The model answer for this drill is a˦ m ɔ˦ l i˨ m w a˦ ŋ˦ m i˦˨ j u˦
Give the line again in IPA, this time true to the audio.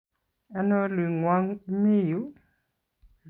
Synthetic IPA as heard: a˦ n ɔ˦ l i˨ ŋ w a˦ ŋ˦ m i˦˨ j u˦